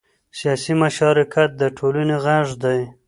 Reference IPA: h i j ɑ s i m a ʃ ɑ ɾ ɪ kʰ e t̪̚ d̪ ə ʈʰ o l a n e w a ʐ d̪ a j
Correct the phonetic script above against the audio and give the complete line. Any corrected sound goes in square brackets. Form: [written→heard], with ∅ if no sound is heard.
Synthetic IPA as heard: [h→s] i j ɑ s i m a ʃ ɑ ɾ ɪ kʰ [e→a] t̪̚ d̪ ə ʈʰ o l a n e [w→ɣ] a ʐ d̪ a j